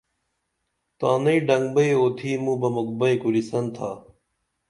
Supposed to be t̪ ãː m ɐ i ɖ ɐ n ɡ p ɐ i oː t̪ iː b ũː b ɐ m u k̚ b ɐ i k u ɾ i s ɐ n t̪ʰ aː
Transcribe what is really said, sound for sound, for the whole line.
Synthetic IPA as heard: t̪ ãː n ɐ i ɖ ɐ ŋ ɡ b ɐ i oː t̪ʰ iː m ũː b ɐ m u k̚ b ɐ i k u ɾ i s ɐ n t̪ʰ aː